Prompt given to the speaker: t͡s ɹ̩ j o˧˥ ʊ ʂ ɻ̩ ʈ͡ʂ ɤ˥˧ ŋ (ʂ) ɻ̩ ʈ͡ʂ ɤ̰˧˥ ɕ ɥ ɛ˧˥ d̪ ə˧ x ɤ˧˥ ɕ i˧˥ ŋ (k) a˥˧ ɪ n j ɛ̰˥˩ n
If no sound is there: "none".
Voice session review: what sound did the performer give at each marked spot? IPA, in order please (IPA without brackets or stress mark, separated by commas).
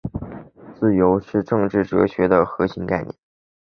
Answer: ʈ͡ʂ, k